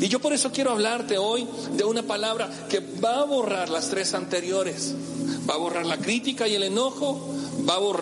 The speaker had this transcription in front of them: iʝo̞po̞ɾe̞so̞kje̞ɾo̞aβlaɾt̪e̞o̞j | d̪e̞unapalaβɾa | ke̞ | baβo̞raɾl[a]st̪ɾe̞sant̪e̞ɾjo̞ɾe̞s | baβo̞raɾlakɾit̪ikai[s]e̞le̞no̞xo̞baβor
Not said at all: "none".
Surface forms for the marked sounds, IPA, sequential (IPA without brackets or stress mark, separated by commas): a, none